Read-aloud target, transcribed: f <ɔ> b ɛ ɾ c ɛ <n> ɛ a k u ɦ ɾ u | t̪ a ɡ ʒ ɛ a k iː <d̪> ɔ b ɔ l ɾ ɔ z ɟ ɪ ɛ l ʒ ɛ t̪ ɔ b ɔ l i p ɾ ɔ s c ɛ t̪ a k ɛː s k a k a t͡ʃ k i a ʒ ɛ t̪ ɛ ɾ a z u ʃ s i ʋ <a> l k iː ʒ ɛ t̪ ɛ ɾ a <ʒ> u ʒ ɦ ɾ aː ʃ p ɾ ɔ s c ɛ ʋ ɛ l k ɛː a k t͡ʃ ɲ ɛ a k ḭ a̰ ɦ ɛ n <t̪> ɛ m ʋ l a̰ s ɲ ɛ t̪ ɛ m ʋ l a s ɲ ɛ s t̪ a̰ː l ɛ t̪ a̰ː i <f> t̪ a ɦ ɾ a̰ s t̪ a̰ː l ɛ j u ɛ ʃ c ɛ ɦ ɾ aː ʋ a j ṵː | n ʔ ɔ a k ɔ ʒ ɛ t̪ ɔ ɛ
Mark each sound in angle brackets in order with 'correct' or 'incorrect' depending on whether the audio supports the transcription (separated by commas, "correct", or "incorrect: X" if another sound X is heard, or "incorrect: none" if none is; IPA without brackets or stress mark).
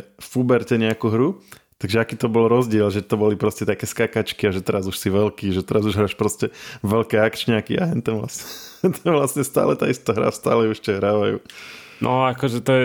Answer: incorrect: u, incorrect: ɲ, incorrect: t̪, incorrect: ɛ, incorrect: z, correct, incorrect: s